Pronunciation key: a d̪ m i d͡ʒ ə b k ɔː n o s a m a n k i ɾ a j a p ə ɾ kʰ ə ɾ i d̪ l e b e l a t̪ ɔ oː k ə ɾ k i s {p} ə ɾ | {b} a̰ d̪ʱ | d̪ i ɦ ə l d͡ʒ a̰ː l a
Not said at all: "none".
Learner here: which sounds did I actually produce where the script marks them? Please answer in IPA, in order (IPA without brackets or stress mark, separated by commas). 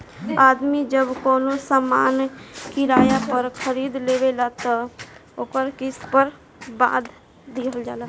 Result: p, b